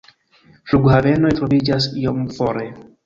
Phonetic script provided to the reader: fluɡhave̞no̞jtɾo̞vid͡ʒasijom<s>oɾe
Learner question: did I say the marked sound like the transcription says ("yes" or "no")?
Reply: no